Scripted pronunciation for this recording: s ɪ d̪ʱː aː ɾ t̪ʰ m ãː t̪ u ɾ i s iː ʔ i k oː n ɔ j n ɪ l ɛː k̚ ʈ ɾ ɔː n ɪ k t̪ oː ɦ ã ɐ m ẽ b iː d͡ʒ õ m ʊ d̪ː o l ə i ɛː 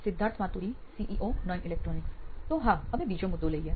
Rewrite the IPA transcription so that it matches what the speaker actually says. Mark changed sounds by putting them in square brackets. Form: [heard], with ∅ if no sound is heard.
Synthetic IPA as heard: s ɪ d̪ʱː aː ɾ t̪ʰ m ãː t̪ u ɾ i s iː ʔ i [ʔ] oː n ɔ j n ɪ l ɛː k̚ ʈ ɾ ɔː n ɪ k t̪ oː ɦ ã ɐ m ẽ b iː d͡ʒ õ m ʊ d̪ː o l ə i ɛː